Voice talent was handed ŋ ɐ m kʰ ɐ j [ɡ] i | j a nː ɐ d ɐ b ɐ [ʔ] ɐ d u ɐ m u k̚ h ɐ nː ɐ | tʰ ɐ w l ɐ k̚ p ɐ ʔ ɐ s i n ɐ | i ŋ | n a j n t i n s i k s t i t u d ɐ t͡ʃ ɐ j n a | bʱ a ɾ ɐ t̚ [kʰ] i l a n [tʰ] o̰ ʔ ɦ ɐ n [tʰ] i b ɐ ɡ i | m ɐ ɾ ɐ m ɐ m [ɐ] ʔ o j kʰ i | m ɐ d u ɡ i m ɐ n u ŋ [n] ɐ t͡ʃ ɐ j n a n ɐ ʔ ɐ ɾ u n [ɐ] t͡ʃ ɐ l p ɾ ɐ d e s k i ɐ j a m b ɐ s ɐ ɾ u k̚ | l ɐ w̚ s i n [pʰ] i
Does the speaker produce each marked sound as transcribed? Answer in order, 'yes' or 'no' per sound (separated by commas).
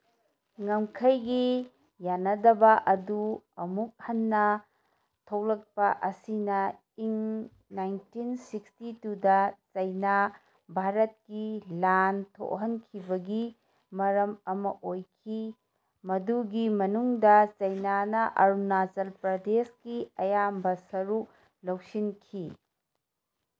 yes, yes, no, yes, no, yes, no, no, no